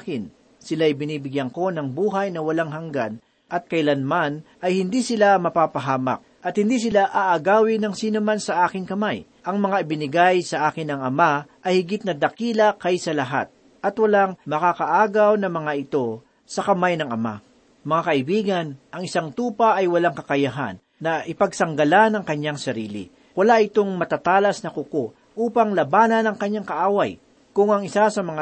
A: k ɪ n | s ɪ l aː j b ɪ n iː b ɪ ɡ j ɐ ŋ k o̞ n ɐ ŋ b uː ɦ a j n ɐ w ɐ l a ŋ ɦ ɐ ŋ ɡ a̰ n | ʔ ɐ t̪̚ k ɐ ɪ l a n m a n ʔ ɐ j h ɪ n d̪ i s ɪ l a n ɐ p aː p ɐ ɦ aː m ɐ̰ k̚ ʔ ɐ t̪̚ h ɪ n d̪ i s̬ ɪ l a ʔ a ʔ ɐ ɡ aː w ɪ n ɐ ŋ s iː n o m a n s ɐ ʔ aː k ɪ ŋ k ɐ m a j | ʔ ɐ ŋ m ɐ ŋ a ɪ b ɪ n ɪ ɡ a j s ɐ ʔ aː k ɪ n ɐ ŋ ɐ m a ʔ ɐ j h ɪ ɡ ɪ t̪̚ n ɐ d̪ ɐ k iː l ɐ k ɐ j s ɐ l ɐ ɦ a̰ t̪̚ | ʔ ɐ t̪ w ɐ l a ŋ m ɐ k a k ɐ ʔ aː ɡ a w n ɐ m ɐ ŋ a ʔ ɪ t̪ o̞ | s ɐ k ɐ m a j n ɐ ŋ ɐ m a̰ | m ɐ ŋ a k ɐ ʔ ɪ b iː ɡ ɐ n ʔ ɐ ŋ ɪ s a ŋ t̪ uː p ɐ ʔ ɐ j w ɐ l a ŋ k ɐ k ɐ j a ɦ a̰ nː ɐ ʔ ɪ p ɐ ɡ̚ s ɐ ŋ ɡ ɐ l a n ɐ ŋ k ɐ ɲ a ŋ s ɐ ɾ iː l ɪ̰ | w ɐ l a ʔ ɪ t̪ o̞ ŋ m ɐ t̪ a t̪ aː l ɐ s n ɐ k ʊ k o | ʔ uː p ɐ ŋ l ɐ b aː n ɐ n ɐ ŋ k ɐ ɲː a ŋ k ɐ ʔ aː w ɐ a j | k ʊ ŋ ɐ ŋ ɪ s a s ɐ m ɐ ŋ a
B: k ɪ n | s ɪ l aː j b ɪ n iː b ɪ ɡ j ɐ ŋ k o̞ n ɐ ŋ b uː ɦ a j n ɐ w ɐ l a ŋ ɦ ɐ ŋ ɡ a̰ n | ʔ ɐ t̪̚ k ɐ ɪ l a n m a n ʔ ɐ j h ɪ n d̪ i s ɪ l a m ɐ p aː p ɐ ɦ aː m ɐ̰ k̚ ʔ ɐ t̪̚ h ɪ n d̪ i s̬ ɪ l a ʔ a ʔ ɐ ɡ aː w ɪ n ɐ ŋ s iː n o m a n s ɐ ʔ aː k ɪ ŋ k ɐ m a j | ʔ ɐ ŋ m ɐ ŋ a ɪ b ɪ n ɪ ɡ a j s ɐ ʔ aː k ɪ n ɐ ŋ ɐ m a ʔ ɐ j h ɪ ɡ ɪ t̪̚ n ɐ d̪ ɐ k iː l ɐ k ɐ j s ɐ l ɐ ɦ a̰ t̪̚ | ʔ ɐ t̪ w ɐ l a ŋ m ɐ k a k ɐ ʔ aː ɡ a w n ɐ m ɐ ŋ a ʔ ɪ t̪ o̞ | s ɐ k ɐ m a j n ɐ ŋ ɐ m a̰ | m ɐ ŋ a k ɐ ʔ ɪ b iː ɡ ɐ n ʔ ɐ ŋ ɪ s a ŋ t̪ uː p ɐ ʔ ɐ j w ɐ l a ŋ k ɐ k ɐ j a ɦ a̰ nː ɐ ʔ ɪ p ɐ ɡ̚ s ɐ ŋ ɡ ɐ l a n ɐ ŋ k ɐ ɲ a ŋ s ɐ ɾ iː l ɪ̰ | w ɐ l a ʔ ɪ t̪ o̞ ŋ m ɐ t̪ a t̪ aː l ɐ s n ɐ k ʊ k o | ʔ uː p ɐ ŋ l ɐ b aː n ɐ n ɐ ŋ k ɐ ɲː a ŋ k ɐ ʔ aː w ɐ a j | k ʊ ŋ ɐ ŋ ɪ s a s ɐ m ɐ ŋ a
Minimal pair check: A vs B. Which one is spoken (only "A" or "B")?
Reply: B